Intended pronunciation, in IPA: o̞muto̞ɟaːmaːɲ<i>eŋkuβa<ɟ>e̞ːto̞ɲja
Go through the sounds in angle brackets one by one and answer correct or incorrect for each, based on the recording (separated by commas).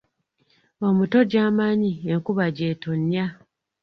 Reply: correct, correct